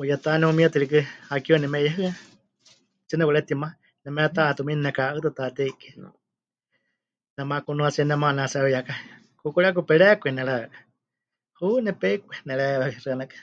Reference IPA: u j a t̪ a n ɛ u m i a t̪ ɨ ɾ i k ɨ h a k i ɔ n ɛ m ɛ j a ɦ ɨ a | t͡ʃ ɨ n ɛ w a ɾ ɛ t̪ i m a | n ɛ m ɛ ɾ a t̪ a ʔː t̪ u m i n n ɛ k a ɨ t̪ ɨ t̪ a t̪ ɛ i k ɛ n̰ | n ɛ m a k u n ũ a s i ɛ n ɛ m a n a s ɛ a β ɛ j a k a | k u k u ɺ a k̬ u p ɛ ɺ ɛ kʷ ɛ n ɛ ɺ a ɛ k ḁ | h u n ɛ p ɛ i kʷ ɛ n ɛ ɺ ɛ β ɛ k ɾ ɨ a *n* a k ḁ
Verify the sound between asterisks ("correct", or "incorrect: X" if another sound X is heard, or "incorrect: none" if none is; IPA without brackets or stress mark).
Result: correct